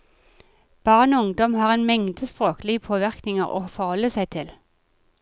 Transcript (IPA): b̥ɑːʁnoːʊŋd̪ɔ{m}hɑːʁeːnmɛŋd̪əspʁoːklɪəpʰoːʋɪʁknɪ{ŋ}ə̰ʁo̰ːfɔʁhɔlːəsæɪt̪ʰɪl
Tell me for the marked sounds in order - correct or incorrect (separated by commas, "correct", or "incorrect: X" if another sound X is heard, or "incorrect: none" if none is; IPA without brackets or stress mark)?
correct, correct